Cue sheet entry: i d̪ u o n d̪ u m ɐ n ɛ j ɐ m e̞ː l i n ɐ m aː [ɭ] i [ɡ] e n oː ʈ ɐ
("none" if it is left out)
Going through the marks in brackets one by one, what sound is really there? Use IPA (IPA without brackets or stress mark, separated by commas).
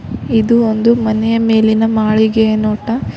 ɭ, ɡ